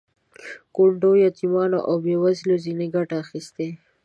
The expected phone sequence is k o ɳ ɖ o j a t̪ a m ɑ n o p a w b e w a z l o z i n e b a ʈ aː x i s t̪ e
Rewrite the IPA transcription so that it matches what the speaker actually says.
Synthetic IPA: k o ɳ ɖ o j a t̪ i m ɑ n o ʔ a w b e w a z l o z i n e ɡ a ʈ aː x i s t̪ e